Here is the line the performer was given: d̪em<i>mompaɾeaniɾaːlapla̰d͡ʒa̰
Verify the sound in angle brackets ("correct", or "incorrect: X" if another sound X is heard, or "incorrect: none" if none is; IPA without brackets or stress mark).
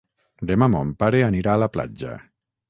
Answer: incorrect: a